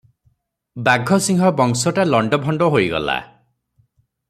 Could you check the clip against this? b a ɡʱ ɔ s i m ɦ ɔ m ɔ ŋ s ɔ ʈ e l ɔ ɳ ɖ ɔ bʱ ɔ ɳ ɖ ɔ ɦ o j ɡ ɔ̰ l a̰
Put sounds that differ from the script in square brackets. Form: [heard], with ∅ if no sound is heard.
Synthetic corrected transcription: b a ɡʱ ɔ s i [ŋ] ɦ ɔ [b] ɔ ŋ s ɔ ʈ [a] l ɔ ɳ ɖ ɔ bʱ ɔ ɳ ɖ ɔ ɦ o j ɡ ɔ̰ l a̰